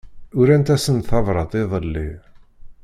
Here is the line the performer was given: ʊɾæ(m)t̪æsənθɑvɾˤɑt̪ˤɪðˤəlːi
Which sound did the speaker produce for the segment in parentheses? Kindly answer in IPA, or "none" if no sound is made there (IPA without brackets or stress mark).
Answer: n